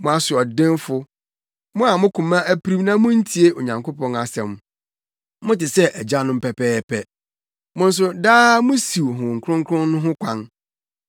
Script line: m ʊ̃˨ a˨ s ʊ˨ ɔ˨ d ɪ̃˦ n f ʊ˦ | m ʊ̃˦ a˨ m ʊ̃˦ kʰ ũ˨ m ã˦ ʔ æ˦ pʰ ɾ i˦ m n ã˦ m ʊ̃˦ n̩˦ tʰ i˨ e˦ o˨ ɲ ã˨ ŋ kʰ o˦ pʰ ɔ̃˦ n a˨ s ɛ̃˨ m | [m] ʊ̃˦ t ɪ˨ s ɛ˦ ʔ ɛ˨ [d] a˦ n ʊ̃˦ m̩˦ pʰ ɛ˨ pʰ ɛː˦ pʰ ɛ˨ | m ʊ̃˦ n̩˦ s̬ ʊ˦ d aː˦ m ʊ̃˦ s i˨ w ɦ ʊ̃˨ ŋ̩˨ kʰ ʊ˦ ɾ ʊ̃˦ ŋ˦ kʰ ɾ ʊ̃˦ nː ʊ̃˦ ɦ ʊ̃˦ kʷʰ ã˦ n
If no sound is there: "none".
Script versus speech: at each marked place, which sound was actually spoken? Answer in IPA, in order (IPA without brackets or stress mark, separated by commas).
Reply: m, d͡ʑ